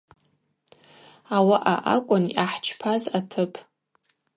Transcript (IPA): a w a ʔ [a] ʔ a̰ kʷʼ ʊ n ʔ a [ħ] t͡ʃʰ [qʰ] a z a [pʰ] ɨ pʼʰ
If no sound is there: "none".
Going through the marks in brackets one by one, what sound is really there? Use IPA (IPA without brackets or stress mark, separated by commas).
a, ħ, pʰ, tʰ